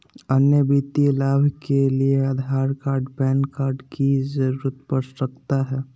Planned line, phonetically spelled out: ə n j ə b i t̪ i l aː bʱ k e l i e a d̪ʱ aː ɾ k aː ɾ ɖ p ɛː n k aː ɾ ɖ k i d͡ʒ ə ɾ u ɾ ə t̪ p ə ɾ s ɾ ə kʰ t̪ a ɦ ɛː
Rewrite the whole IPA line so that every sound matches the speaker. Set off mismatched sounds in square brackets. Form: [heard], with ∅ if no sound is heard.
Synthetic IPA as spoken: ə n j ə b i t̪ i l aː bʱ k e l i e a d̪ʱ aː ɾ k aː ɾ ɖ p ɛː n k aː ɾ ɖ k i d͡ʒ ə ɾ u ɾ ə t̪ p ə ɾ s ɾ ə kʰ t̪ a ɦ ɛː